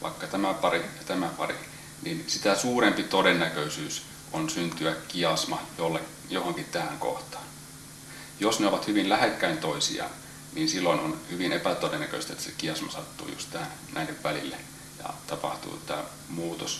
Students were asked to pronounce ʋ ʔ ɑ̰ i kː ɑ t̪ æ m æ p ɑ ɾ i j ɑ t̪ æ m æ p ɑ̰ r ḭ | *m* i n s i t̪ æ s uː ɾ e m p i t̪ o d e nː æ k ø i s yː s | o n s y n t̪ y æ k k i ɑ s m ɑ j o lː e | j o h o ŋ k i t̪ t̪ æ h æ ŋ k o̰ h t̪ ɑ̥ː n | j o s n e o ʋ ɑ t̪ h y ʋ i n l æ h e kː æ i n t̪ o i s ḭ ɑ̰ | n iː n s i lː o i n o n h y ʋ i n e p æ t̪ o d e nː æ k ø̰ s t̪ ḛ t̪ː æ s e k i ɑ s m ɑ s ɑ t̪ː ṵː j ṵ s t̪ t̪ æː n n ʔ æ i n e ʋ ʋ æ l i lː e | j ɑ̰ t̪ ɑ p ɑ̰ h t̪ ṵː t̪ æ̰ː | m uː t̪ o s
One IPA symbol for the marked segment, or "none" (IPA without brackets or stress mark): n